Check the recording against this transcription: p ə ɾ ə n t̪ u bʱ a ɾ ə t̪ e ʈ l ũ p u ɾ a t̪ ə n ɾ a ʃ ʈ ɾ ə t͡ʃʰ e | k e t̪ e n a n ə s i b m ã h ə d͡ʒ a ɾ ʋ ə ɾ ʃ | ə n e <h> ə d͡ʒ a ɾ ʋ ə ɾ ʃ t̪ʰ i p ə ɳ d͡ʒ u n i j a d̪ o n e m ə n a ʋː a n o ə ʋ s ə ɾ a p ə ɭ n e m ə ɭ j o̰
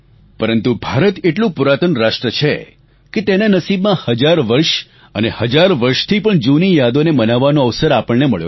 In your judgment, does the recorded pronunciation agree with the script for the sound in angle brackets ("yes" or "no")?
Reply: yes